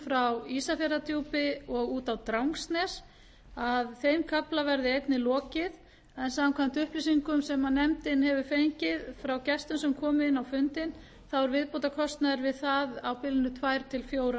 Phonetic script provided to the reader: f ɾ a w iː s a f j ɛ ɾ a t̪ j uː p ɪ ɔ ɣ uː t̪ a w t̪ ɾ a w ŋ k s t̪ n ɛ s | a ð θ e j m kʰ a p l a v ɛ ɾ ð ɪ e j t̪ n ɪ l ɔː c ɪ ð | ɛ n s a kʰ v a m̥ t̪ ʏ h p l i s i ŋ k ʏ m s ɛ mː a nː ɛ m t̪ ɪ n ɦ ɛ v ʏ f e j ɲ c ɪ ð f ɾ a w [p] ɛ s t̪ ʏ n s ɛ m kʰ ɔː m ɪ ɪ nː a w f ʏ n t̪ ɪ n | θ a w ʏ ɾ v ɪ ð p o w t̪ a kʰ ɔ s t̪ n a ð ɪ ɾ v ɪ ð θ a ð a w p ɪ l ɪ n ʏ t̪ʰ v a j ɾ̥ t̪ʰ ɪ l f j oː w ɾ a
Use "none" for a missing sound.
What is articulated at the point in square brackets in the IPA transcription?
c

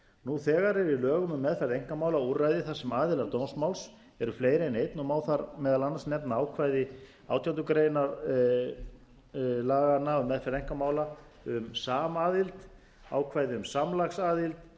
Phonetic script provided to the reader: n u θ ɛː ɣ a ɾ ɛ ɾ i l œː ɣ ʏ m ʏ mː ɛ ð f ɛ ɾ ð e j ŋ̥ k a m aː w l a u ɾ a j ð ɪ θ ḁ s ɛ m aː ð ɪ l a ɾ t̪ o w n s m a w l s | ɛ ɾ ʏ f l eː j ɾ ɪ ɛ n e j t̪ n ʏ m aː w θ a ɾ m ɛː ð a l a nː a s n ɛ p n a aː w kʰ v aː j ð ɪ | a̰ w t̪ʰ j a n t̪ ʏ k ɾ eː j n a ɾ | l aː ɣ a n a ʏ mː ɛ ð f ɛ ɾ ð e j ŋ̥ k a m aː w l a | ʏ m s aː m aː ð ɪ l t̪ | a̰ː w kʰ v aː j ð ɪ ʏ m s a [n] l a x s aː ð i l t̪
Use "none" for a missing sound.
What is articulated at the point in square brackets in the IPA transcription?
m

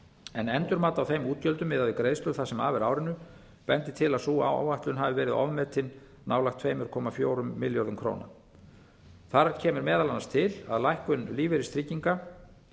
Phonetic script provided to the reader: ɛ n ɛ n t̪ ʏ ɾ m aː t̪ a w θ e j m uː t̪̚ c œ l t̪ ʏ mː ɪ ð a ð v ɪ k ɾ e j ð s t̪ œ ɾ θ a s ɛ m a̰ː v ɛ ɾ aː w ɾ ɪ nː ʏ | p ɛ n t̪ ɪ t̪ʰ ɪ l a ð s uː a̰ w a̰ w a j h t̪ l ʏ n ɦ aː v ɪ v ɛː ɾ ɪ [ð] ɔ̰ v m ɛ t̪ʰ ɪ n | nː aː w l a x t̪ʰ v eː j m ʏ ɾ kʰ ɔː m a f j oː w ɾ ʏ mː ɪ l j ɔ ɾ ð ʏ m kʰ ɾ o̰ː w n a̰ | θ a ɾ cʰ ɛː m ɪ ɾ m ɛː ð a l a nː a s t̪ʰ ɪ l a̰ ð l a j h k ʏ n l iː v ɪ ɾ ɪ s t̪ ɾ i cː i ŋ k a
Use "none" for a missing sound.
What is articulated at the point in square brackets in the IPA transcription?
ð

